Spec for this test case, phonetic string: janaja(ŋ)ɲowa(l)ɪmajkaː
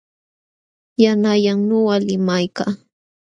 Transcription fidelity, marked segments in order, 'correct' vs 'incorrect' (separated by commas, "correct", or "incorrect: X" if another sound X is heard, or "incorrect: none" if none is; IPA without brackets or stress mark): correct, correct